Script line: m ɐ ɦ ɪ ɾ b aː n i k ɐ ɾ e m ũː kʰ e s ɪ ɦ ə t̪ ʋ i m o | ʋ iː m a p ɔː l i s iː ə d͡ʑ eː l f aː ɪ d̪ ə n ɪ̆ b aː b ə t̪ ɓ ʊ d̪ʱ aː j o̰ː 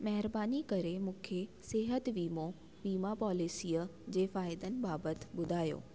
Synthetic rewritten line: m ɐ ɦ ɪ ɾ b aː n i k ɐ ɾ e m ũː kʰ e s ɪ ɦ ə t̪ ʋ iː m o | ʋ iː m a p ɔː l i s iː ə d͡ʑ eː f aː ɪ d̪ ə n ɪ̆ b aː b ə t̪ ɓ ʊ d̪ʱ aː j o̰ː